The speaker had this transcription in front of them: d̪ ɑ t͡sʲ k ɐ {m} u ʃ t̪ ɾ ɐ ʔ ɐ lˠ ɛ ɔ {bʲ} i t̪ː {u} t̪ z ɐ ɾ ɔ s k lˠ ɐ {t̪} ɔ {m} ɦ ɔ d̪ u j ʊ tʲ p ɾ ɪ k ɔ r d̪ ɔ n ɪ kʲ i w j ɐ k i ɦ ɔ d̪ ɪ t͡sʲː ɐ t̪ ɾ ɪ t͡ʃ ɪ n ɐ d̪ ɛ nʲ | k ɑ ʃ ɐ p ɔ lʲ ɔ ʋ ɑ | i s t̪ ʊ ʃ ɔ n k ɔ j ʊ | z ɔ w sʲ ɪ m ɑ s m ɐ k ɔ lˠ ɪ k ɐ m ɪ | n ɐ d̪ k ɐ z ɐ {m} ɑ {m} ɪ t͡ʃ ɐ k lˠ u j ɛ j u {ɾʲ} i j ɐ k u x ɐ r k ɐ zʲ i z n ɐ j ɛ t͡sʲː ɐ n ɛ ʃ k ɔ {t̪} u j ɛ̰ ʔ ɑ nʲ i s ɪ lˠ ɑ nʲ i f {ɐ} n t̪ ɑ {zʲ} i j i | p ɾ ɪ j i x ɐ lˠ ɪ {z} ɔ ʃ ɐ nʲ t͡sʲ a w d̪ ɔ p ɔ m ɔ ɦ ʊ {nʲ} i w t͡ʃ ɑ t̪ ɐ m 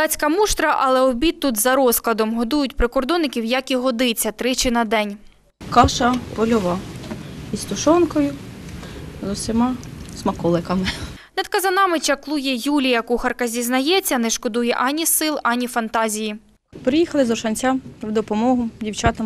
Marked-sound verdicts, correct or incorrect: correct, correct, correct, incorrect, correct, incorrect, correct, incorrect, incorrect, correct, correct, correct, incorrect

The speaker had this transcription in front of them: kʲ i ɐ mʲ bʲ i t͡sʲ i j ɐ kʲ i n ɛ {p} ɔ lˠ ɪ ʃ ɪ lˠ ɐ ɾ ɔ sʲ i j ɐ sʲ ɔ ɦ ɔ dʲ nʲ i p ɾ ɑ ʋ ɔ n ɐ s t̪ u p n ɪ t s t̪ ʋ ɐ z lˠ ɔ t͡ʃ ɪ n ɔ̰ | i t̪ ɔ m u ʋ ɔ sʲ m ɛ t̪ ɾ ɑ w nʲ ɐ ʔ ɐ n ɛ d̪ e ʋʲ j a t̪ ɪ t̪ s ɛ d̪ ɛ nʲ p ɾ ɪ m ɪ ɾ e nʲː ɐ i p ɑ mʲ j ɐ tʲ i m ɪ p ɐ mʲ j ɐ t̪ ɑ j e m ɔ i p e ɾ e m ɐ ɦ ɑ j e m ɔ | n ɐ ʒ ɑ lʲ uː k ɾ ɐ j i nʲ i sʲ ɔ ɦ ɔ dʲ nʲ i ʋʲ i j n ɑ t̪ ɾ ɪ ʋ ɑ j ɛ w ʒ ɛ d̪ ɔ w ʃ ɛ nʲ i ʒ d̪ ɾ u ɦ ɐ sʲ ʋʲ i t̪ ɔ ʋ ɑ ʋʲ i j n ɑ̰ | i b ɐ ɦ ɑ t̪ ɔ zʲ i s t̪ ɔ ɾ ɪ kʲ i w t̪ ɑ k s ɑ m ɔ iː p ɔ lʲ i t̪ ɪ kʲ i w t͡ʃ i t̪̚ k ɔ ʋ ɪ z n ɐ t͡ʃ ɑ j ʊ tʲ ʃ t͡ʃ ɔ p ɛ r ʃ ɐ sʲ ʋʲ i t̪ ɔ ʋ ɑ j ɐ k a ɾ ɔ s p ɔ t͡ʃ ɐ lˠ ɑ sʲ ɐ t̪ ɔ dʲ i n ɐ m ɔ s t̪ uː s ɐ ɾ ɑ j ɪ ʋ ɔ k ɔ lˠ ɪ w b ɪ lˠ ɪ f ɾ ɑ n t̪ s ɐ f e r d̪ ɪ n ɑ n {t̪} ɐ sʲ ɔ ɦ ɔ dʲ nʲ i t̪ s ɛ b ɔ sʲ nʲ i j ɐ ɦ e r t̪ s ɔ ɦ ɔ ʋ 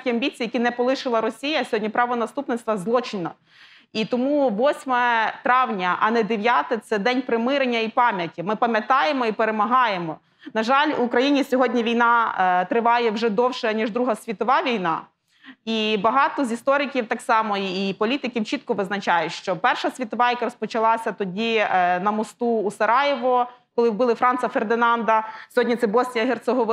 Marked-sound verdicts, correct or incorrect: correct, incorrect

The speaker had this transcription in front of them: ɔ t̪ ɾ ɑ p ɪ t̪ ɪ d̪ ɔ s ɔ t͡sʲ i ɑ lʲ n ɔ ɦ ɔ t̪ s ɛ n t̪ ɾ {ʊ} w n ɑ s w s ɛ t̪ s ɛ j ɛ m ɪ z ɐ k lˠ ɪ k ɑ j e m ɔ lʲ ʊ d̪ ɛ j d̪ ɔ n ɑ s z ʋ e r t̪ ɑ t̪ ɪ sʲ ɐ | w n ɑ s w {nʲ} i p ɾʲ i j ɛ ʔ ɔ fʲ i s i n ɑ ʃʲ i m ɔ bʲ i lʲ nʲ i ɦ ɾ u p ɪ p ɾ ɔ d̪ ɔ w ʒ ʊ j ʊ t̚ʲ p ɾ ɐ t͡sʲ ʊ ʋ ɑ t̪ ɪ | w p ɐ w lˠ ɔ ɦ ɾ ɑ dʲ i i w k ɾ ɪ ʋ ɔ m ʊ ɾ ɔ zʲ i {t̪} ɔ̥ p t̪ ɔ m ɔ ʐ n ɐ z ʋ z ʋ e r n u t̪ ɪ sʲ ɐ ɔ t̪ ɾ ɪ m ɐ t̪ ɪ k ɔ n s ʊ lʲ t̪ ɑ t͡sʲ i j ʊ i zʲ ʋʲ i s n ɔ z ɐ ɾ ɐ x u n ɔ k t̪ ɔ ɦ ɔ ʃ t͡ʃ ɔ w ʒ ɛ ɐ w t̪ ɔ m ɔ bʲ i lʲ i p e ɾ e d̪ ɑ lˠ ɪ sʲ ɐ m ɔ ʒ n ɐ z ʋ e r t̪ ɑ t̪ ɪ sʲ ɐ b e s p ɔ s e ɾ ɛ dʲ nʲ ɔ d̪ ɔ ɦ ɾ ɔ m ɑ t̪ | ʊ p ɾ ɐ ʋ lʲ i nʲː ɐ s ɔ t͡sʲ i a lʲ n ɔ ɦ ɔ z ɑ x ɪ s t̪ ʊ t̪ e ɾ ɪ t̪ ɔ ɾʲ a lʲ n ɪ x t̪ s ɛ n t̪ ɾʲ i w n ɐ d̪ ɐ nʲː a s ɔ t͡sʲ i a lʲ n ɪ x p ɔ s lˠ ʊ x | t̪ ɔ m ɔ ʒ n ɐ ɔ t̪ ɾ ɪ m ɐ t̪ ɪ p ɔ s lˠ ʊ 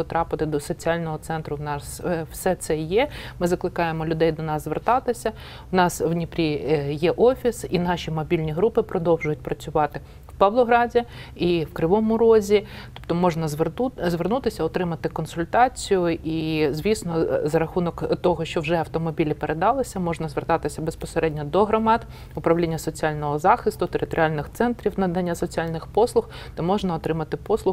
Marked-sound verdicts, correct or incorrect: correct, correct, correct

